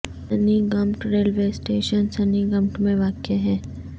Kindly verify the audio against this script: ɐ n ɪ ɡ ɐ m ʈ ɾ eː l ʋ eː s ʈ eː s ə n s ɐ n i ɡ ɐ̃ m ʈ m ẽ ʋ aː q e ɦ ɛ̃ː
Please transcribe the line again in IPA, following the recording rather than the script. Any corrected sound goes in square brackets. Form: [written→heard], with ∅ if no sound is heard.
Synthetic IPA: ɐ n [ɪ→i] ɡ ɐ m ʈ ɾ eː l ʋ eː s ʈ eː [s→ʃ] ə n s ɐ n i ɡ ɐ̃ m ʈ m ẽ ʋ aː [q→k] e ɦ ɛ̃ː